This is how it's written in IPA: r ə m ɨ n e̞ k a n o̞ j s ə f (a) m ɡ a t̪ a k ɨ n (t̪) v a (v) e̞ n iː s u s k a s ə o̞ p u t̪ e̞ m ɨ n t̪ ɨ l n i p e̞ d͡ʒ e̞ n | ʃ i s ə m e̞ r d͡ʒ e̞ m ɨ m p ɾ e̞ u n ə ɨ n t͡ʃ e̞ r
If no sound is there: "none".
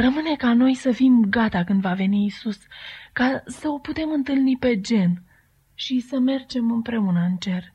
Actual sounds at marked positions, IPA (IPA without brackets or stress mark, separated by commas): i, d̪, v